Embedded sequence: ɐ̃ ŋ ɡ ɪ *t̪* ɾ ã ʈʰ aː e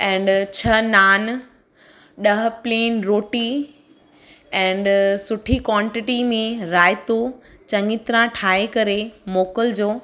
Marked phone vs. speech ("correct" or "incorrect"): correct